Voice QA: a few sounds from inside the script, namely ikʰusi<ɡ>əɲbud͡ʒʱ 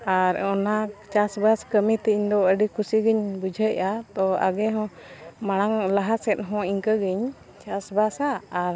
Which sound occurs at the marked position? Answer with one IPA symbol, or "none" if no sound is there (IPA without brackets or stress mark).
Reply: ɡ